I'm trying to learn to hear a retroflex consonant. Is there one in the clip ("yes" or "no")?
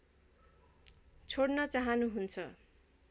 yes